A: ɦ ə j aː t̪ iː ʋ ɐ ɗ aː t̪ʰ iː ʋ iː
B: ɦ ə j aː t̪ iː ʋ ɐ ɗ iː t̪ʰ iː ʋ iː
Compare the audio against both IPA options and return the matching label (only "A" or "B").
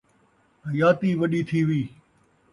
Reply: B